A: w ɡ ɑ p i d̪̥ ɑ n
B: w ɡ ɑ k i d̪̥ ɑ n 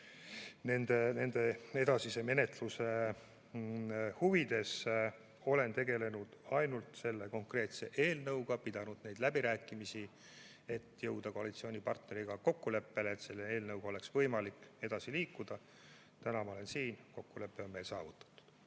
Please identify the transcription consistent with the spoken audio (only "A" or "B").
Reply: A